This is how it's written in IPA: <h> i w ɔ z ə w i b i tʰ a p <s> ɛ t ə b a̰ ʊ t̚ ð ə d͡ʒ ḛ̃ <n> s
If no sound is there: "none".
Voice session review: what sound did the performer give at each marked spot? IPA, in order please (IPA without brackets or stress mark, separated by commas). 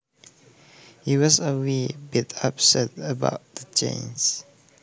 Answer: h, s, n